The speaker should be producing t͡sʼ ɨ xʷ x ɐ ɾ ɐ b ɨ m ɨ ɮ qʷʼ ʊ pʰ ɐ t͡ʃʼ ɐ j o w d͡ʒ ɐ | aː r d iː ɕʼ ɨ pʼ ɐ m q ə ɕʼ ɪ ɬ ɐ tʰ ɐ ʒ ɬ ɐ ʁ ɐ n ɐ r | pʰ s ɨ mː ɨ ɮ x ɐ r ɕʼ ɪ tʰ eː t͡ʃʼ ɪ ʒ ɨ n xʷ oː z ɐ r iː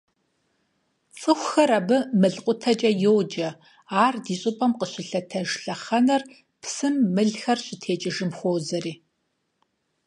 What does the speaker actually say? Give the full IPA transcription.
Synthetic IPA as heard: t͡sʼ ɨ xʷ x ɐ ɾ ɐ b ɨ m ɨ ɮ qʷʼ ʊ tʰ ɐ t͡ʃʼ ɐ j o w d͡ʒ ɐ | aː r d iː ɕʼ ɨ pʼ ɐ m q ə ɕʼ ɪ ɬ ɐ tʰ ɐ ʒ ɬ ɐ χ ɐ n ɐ r | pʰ s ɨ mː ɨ ɮ x ɐ r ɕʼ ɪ tʰ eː t͡ʃʼ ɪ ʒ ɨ m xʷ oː z ɐ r iː

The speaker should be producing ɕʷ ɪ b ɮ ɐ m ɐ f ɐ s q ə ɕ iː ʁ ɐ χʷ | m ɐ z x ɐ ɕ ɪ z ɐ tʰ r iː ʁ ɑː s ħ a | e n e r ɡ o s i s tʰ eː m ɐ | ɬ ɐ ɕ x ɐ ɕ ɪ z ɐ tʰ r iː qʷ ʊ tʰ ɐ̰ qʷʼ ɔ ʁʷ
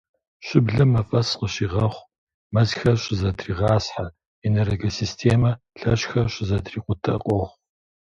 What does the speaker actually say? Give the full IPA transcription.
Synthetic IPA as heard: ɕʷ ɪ b ɮ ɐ m ɐ f ɐ s q ə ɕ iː ʁ ɐ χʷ | m ɐ z x ɐ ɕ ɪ z ɐ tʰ r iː ʁ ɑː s ħ a | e n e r ɡ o s i s tʰ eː m ɐ | ɬ ɐ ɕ x ɐ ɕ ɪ z ɐ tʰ r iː qʷ ʊ tʰ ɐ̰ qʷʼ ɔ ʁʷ

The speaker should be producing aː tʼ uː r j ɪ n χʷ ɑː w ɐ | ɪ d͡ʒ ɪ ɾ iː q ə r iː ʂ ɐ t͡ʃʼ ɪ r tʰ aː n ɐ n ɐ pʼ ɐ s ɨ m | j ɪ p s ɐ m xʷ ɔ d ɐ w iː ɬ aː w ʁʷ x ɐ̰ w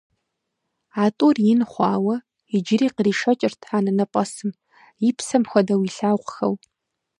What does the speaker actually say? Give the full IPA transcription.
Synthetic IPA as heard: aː tʼ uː r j ɪ n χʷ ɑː w ɐ | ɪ d͡ʒ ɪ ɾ iː q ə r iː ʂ ɐ t͡ʃʼ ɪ r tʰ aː n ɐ n ɐ pʼ ɐ s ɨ m | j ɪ p s ɐ m xʷ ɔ d ɐ w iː ɬ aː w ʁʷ x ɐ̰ w

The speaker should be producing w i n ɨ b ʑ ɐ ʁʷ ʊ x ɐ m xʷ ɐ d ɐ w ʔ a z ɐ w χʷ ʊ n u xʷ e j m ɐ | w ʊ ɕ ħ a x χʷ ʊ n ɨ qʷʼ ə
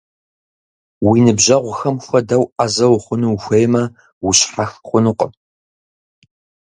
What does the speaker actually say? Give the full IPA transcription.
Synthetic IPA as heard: w i n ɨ b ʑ ɐ ʁʷ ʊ x ɐ m xʷ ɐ d ɐ w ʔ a z ɐ w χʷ ʊ n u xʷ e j m ɐ | w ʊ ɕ ħ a x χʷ ʊ n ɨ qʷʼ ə

